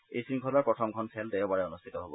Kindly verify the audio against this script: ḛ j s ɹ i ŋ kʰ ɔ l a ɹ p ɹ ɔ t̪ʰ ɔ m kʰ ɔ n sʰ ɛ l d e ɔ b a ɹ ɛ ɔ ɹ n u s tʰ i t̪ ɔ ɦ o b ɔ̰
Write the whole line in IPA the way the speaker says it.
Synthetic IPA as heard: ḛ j s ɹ i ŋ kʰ ɔ l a ɹ p ɹ ɔ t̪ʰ ɔ m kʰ ɔ n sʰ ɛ l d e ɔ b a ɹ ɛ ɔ n u s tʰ i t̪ ɔ ɦ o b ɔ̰